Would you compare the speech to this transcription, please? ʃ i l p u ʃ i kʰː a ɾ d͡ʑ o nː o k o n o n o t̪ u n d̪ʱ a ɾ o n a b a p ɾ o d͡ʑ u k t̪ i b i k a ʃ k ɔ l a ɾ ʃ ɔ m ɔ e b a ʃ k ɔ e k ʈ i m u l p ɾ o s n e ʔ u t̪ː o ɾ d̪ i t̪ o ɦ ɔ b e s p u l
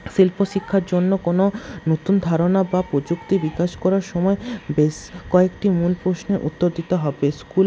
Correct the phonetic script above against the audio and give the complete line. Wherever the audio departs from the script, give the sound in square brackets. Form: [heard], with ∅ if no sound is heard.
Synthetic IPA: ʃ i l p [o] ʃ i kʰː a ɾ d͡ʑ o nː o k o n o n o t̪ u n d̪ʱ a ɾ o n a b a p ɾ o d͡ʑ u k t̪ i b i k a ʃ k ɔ [ɾ] a ɾ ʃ ɔ m ɔ e b [e] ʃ k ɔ e k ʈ i m u l p ɾ o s n e ʔ u t̪ː o ɾ d̪ i t̪ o ɦ ɔ b e s [k] u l